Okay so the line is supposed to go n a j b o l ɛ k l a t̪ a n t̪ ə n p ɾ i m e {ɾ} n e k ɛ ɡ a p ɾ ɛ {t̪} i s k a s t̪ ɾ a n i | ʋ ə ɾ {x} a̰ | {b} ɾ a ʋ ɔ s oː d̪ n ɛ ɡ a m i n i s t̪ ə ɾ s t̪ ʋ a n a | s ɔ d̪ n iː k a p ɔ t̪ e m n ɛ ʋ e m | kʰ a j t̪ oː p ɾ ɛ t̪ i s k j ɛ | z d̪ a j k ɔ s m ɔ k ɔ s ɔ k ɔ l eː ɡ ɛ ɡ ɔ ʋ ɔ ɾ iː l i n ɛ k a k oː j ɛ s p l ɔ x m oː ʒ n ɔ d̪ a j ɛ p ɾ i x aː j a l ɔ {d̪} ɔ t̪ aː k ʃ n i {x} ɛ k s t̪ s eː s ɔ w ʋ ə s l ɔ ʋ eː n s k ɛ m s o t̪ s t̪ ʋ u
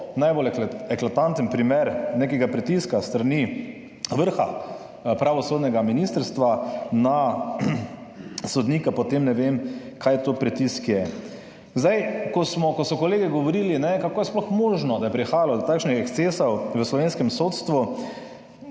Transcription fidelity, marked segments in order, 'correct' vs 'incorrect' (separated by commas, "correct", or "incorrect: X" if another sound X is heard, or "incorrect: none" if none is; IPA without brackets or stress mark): correct, correct, correct, incorrect: p, correct, correct